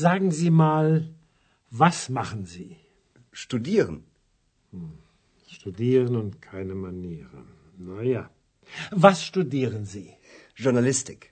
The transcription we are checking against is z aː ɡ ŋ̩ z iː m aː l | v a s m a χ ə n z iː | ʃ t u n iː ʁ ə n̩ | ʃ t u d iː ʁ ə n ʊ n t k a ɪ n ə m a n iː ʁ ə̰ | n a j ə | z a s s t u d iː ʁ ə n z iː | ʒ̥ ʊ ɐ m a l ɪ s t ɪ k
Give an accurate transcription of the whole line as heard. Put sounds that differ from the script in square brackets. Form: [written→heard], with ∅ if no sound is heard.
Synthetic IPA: z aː ɡ ŋ̩ z iː m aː l | v a s m a χ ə n z iː | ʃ t u [n→d] iː ʁ ə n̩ | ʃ t u d iː ʁ ə n ʊ n t [k→kʰ] a ɪ n ə m a n iː ʁ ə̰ | n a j [ə→a] | [z→v] a s [s→ʃ] t u d iː ʁ ə n z iː | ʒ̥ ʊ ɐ [m→n] a l ɪ s t ɪ k